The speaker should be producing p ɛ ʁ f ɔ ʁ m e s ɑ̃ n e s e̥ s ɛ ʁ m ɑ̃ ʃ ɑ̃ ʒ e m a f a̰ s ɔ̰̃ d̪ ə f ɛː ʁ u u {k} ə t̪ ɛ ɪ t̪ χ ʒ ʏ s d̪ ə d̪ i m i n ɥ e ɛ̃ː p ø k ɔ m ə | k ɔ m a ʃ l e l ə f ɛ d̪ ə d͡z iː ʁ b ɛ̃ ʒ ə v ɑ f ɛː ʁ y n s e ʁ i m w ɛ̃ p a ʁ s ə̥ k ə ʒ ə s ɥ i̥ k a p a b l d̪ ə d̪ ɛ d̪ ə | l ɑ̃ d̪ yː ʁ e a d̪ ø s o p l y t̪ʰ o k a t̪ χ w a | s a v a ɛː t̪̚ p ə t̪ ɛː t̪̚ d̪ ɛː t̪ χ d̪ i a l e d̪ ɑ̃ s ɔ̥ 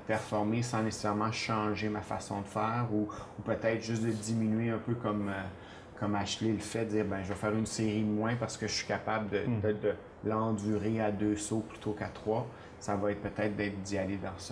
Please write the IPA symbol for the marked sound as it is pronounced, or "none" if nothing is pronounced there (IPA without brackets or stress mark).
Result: p